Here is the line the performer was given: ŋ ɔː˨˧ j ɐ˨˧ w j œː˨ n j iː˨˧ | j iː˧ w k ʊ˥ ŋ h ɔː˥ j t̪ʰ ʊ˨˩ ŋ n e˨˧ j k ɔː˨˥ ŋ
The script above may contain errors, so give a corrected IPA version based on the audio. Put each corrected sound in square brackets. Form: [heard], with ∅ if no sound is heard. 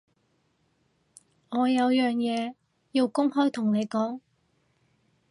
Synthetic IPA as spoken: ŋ ɔː˨˧ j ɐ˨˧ w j œː˨ [ŋ] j [ɛː˨˧] | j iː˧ w k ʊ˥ ŋ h ɔː˥ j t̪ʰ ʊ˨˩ ŋ n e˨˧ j k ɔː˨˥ ŋ